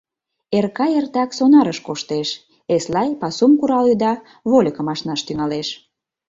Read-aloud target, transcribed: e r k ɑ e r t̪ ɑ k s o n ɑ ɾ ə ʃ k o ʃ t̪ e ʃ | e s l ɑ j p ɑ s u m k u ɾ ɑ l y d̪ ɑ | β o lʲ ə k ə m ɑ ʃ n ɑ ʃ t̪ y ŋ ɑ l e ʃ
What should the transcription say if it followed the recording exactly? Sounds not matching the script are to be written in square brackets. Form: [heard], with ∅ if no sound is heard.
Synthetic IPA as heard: e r k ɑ e r t̪ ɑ k s o n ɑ ɾ ə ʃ k o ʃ t̪ e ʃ | e s l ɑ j p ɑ s u m k u ɾ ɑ l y d̪ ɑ | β o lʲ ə k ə m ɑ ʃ n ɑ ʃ t̪ y ŋ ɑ l e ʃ